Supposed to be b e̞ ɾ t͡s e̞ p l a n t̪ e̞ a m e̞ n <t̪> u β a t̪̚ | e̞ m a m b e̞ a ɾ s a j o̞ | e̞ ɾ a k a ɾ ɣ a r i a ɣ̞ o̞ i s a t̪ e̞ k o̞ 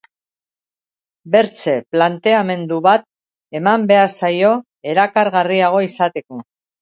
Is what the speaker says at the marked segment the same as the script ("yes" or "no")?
no